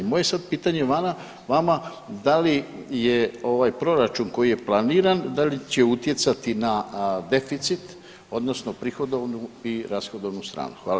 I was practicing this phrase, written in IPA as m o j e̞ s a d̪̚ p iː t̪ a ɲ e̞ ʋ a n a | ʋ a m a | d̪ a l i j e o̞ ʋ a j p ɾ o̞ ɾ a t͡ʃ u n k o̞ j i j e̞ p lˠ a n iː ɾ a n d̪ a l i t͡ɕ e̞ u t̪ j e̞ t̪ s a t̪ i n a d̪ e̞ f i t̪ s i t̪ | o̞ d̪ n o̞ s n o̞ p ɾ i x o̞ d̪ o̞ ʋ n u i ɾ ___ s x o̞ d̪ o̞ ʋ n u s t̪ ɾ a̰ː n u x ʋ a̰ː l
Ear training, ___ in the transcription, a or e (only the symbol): a